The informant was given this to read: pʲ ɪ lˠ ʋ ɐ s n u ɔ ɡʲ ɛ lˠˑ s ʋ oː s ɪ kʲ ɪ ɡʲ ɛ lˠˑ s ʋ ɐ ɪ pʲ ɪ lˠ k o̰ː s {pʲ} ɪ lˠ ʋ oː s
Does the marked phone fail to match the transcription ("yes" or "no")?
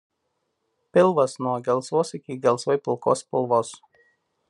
no